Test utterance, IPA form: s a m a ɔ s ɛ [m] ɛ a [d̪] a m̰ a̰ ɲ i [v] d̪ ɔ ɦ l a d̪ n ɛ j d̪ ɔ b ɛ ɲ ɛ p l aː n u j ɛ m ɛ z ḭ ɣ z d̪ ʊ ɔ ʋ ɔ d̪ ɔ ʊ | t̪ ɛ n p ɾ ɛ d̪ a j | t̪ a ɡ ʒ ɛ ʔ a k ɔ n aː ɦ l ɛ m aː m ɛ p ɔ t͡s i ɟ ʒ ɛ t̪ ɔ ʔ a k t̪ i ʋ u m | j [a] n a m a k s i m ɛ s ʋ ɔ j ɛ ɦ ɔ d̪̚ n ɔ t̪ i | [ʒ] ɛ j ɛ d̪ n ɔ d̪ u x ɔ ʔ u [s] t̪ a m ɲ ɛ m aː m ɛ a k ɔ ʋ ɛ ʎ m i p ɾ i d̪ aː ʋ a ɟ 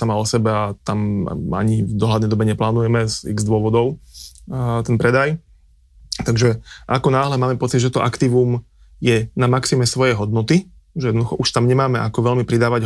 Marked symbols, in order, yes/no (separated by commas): no, no, yes, no, yes, no